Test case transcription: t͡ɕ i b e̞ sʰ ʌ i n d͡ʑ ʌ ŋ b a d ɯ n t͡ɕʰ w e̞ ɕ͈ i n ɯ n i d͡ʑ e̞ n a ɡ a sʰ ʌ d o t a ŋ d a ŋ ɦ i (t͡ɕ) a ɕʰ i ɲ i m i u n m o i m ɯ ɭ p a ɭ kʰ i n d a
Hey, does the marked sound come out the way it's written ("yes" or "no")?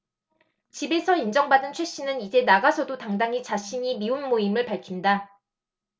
yes